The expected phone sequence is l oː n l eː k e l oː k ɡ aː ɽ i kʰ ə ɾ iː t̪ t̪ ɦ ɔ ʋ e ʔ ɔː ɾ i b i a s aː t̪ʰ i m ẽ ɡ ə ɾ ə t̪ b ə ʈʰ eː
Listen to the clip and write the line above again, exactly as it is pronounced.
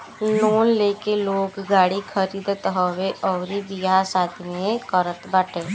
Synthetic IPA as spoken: l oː n l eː k e l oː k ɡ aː ɽ i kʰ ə ɾ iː d̪ t̪ ɦ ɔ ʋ e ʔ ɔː ɾ i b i a s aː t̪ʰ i m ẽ k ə ɾ ə t̪ b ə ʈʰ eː